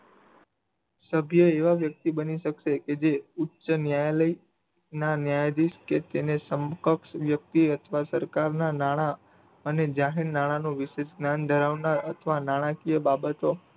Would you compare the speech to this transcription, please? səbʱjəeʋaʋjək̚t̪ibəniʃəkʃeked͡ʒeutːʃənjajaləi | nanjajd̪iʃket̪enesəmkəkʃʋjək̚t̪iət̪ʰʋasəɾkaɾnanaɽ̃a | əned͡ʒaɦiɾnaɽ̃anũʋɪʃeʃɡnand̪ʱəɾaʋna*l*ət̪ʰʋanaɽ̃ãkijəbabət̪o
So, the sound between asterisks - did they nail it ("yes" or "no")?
no